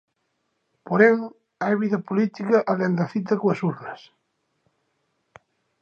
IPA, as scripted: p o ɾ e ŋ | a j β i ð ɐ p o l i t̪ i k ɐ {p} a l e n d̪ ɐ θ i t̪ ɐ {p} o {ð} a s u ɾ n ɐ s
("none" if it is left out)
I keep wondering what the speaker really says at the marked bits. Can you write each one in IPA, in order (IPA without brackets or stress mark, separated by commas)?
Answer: ʔ, k, none